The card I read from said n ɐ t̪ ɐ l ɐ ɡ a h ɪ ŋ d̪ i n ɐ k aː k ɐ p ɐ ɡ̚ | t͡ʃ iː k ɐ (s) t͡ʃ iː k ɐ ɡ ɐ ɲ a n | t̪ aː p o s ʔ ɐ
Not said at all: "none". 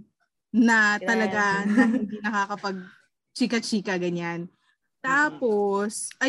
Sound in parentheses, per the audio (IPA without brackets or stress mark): none